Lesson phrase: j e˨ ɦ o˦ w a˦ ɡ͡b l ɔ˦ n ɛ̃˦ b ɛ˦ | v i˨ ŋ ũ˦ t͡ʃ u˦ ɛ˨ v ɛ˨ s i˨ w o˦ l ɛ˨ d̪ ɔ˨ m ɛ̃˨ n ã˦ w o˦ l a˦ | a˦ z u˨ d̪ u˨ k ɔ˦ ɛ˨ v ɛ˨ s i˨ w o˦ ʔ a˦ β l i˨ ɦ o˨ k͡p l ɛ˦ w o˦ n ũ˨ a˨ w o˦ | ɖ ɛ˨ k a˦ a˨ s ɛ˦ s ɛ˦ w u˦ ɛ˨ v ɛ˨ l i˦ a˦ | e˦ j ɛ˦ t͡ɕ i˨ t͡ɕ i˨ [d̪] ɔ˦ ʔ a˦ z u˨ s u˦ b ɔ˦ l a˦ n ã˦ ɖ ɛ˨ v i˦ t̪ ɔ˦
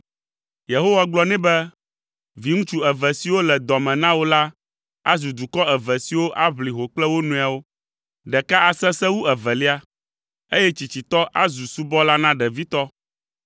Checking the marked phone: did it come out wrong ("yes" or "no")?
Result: yes